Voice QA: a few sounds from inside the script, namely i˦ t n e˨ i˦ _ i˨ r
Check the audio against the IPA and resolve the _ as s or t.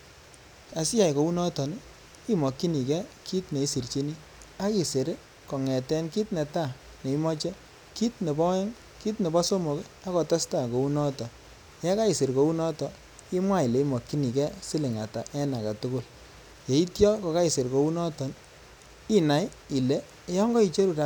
s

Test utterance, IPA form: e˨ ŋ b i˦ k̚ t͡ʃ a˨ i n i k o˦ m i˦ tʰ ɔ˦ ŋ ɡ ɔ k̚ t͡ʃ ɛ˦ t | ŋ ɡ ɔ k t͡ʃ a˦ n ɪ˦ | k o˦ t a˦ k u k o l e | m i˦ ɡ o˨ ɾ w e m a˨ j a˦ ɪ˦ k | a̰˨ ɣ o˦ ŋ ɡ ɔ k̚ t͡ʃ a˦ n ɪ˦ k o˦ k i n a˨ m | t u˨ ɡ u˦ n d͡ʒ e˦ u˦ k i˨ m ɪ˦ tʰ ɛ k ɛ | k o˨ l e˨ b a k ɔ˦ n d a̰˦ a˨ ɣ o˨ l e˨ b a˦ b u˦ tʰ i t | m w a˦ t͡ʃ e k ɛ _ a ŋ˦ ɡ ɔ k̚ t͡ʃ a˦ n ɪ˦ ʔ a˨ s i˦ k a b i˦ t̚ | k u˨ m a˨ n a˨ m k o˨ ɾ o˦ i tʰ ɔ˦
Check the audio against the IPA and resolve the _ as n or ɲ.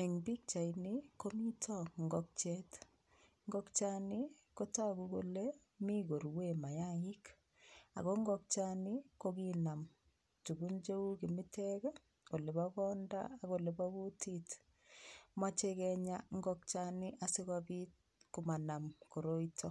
ɲ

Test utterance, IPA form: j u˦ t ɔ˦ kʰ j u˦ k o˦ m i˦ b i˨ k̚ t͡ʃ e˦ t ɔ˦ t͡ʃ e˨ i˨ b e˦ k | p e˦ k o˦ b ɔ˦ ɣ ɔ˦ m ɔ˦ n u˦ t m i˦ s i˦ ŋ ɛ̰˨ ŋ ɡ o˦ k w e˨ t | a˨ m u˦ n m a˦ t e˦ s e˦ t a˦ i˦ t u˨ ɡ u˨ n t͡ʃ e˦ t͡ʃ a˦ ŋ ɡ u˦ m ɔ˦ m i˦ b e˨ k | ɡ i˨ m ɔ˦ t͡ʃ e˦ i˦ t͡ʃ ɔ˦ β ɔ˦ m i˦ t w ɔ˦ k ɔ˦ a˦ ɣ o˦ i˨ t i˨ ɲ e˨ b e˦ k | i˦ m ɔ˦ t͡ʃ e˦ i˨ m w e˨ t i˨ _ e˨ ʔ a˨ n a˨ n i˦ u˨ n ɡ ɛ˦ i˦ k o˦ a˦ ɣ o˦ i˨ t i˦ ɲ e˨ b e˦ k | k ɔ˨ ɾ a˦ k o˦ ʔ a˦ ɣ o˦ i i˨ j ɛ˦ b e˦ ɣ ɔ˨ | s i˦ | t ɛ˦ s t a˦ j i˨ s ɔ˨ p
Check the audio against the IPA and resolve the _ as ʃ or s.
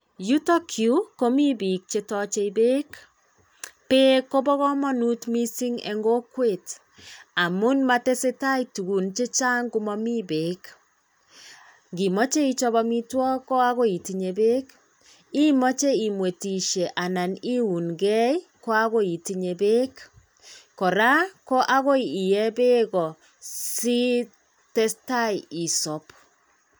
ʃ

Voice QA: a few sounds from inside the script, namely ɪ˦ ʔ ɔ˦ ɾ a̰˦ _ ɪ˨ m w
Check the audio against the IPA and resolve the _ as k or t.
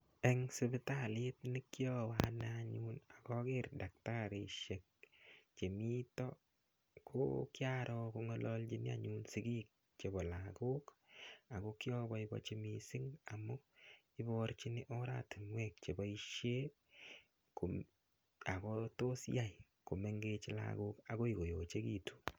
t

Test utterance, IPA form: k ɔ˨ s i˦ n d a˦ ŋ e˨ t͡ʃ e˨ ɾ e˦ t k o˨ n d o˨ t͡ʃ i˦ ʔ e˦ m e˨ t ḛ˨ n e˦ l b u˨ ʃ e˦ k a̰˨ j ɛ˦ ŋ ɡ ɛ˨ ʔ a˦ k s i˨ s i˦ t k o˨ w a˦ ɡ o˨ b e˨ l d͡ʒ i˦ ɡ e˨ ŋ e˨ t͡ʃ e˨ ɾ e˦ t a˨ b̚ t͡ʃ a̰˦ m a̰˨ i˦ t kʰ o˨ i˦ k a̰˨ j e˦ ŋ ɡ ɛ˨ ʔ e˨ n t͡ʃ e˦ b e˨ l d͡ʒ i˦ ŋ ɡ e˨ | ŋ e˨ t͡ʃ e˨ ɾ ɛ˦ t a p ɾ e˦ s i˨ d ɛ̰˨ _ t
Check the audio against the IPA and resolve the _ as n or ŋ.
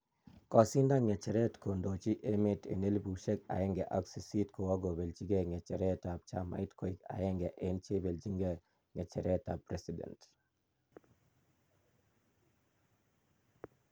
n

